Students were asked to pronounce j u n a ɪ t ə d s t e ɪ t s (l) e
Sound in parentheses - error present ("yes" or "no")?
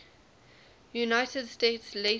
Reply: no